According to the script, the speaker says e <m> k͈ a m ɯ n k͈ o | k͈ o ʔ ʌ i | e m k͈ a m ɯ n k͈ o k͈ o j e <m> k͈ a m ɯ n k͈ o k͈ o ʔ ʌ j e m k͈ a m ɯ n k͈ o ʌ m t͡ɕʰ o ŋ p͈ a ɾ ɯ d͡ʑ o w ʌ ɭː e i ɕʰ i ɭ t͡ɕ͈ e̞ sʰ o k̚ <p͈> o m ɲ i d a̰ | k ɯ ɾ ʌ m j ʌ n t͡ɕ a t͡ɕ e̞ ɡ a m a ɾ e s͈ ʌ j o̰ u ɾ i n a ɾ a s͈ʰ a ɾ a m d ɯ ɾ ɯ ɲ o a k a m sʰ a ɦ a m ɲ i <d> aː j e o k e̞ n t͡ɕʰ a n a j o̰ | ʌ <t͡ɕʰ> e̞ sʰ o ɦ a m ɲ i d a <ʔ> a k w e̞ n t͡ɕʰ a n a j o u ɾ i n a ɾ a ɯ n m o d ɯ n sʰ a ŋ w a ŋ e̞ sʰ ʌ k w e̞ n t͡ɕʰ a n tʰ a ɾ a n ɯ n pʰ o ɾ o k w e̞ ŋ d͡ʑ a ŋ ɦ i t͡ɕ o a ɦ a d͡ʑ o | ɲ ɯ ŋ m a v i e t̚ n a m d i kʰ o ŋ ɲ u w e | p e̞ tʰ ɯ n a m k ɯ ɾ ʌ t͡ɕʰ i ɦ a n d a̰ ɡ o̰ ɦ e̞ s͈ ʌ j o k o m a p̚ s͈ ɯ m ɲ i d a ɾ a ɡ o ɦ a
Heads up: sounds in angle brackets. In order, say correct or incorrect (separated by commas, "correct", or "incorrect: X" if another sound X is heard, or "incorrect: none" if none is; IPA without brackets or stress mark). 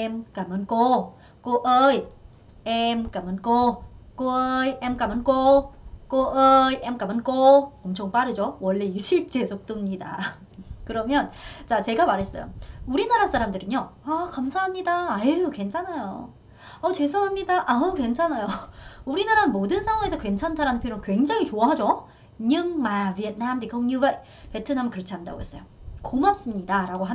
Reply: correct, correct, incorrect: t͈, correct, incorrect: t͡ɕ, correct